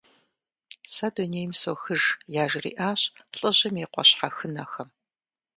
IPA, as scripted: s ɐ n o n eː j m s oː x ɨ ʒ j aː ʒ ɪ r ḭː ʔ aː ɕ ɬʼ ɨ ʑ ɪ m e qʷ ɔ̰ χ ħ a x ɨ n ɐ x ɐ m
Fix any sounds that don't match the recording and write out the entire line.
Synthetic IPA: s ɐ d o n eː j m s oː x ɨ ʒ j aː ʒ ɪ r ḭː ʔ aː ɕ ɬʼ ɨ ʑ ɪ m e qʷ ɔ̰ ɕ ħ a x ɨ n ɐ x ɐ m